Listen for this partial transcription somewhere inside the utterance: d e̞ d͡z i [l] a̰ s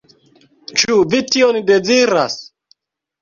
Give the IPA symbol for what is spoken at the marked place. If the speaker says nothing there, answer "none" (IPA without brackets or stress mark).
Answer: ɾ